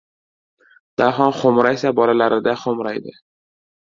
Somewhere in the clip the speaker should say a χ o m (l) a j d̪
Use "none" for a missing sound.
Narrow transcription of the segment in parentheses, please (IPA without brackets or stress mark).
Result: ɾ